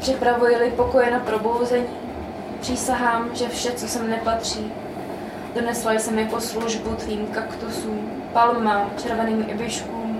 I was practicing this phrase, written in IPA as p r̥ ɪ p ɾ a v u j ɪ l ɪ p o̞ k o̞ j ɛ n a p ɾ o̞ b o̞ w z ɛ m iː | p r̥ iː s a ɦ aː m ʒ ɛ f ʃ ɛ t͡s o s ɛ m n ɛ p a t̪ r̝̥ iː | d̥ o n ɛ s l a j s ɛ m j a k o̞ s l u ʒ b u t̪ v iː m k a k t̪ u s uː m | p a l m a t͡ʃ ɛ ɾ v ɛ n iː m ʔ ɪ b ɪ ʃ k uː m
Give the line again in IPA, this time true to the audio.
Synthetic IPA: p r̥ ɪ p ɾ a v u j ɪ l ɪ p o̞ k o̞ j ɛ n a p ɾ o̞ b o̞ w z ɛ ɲ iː | p r̥ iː s a ɦ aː m ʒ ɛ f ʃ ɛ t͡s o s ɛ m n ɛ p a t̪ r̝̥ iː | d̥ o n ɛ s l a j s ɛ m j a k o̞ s l u ʒ b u t̪ v iː m k a k t̪ u s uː m | p a l m a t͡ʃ ɛ ɾ v ɛ n iː m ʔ ɪ b ɪ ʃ k uː m